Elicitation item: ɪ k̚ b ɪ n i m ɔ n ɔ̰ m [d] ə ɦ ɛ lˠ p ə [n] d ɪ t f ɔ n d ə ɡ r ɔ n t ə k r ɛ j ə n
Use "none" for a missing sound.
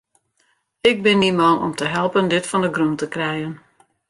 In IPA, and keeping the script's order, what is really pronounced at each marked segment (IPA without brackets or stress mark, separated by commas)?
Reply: t, n